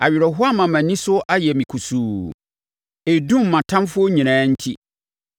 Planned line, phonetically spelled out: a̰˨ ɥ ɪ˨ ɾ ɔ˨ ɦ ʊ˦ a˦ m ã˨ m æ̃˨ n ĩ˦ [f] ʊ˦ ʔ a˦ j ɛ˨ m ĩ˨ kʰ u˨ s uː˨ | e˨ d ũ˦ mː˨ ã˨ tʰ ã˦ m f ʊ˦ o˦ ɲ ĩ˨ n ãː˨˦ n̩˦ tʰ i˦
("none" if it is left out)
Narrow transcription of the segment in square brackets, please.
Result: s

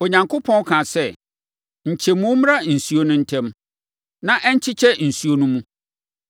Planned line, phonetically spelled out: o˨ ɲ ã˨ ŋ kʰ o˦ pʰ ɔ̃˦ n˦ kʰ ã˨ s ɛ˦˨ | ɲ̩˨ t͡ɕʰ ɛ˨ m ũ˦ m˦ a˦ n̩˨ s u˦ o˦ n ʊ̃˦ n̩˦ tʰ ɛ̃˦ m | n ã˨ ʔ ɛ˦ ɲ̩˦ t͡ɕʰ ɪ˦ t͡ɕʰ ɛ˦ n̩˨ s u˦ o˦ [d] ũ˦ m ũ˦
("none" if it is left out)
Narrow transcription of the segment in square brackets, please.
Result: n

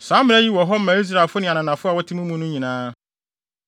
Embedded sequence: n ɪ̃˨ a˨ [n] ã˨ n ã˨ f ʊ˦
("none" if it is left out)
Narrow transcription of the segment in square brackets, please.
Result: n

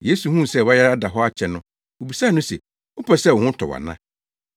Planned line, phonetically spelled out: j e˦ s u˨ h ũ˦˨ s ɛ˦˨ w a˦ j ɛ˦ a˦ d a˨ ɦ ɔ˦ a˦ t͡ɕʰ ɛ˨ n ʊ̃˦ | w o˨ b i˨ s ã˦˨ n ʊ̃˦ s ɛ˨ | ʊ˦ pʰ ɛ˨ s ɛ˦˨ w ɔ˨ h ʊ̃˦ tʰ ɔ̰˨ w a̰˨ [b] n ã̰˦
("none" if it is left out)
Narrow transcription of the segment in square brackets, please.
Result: none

